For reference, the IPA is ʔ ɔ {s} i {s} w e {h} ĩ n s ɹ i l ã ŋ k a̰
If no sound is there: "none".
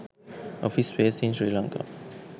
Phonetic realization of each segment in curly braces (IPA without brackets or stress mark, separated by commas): f, s, s